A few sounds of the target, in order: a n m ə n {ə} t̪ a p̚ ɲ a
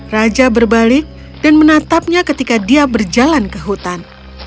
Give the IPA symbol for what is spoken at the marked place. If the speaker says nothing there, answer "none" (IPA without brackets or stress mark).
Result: a